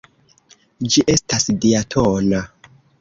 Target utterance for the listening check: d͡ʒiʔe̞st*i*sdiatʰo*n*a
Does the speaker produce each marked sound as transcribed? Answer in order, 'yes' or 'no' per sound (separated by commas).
no, yes